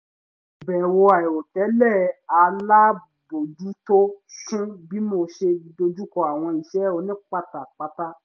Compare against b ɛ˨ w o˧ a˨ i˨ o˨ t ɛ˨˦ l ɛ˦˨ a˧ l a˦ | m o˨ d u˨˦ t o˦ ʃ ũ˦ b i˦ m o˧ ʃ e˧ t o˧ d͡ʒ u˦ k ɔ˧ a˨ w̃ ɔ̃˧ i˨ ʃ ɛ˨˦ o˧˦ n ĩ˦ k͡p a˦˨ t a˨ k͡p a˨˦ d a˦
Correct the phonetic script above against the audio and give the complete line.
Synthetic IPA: b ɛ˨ w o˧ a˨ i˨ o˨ t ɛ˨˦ l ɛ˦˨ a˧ l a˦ | b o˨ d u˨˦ t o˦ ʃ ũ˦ b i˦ m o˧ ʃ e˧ d o˧ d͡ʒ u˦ k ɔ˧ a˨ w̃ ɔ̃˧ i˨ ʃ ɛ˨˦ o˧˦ n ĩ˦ k͡p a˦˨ t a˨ k͡p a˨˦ t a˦